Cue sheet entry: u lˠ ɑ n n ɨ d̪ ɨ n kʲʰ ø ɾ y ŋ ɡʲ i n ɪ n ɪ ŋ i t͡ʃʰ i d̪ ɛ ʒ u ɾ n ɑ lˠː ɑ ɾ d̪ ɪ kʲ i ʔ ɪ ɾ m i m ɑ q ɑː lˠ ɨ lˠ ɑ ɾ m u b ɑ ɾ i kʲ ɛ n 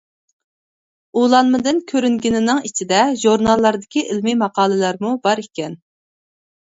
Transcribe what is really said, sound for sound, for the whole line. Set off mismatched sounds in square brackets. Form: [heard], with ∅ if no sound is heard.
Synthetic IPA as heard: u lˠ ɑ n [m] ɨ d̪ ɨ n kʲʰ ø ɾ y ŋ ɡʲ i n ɪ n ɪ ŋ i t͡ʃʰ i d̪ ɛ ʒ u ɾ n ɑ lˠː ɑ ɾ d̪ ɪ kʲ i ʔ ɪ [l] m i m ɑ q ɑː lˠ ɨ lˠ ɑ ɾ m u b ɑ ɾ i kʲ ɛ n